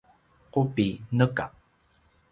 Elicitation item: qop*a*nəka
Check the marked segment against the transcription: incorrect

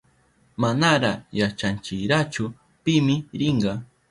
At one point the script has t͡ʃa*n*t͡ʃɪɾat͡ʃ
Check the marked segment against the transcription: correct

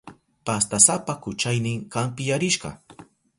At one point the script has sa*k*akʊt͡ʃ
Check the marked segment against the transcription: incorrect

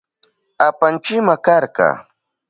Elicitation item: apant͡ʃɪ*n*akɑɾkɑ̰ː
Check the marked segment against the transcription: incorrect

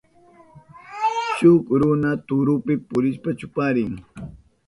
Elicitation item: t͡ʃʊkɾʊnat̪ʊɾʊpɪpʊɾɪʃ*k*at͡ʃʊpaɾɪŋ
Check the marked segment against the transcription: incorrect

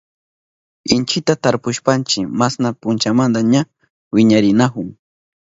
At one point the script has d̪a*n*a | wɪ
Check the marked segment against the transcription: incorrect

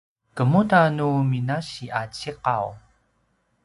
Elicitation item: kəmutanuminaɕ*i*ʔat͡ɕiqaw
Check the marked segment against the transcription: correct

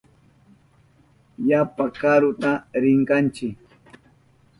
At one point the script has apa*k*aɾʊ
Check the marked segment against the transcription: correct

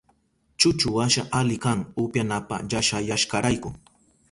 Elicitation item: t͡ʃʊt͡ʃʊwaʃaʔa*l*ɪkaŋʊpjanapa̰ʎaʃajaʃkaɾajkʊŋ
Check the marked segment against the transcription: correct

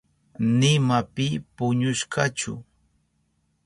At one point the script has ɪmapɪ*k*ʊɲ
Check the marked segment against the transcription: incorrect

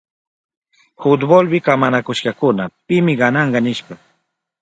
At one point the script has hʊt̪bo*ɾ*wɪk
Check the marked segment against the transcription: incorrect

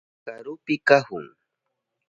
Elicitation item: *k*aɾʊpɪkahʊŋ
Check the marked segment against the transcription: correct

